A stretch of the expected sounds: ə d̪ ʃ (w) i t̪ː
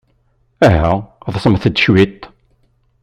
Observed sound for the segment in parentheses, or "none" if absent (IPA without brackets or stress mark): w